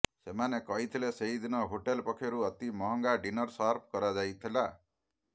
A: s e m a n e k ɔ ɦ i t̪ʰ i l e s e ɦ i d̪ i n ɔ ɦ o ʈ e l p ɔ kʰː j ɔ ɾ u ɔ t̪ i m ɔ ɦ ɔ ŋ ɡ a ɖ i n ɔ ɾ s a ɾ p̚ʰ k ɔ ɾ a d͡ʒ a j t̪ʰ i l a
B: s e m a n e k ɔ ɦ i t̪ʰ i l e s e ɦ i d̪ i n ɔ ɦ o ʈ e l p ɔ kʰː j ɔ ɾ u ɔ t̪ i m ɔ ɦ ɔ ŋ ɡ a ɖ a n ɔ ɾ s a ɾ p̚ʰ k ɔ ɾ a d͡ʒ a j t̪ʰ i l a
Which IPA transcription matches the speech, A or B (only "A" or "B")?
A